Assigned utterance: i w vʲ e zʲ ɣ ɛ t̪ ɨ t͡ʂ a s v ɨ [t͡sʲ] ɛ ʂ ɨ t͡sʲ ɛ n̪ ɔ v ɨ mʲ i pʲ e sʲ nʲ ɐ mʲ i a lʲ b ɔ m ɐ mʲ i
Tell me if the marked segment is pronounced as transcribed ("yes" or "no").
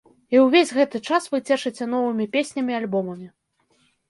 yes